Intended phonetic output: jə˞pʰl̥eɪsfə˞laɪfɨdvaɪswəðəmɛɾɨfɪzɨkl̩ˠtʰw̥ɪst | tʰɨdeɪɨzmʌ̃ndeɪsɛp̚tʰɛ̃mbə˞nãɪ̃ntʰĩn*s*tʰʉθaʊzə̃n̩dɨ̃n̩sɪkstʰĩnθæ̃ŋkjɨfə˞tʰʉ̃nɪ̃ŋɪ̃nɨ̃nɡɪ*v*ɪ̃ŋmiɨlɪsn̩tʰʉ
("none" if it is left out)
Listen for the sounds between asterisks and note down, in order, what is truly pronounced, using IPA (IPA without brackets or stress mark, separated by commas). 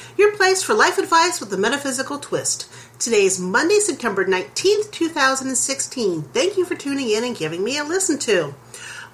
θ, v